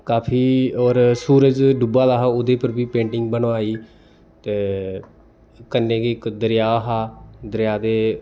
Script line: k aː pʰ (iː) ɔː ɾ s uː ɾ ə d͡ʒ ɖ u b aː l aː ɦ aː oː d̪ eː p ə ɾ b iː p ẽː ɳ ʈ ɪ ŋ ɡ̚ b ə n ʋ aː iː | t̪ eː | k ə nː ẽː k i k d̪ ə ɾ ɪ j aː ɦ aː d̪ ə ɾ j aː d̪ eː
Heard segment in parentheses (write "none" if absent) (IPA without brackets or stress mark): iː